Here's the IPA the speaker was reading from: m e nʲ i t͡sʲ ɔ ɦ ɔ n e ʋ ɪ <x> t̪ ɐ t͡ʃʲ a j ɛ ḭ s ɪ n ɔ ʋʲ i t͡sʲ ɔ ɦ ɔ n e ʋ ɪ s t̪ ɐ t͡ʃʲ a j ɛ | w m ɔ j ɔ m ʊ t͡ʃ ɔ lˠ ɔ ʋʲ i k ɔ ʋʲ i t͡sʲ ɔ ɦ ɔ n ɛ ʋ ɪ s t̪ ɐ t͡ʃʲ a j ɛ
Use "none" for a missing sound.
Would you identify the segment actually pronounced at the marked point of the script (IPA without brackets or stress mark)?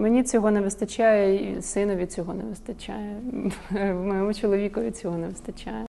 s